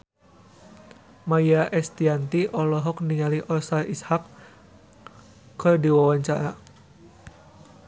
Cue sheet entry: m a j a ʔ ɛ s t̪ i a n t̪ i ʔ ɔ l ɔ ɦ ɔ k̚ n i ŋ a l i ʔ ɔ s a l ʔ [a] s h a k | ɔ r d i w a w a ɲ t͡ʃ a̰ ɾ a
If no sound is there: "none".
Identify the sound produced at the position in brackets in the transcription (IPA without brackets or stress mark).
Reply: i